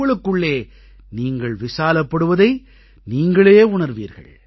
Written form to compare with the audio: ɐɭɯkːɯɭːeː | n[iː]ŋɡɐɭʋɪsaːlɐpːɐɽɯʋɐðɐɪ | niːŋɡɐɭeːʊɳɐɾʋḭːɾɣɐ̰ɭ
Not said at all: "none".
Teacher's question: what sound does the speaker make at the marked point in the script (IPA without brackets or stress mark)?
iː